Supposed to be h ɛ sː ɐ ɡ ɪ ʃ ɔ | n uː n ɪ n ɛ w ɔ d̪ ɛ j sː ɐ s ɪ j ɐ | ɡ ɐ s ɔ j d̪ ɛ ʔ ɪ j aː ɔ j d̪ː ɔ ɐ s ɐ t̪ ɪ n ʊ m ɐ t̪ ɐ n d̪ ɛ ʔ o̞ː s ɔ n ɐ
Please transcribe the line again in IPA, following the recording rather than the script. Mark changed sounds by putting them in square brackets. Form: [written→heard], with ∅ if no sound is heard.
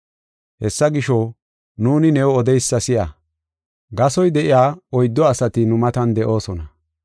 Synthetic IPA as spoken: h ɛ sː ɐ ɡ ɪ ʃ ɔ | n uː n ɪ n ɛ w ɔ d̪ ɛ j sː ɐ s ɪ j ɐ | ɡ ɐ s ɔ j d̪ ɛ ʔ ɪ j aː ɔ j d̪ː ɔ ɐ s ɐ t̪ ɪ n ʊ m ɐ t̪ ɐ n d̪ ɛ ʔ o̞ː s ɔ n ɐ